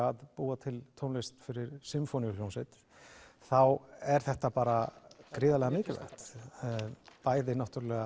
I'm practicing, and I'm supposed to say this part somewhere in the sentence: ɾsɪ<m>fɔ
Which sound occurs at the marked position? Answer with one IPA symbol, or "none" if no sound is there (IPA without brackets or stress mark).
m